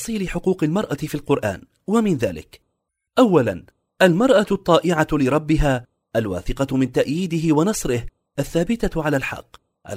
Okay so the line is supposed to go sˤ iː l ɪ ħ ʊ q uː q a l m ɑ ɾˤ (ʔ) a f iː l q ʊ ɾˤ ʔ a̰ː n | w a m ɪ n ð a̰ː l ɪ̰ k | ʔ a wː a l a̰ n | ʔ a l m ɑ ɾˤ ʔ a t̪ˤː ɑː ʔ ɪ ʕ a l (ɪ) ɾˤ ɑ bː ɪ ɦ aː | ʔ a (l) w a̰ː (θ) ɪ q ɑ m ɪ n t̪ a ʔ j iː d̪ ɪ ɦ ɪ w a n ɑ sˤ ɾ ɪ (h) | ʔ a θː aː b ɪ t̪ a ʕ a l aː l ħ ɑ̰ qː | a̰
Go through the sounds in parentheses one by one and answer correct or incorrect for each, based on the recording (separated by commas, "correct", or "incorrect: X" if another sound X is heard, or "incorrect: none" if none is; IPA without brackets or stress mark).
correct, correct, correct, correct, correct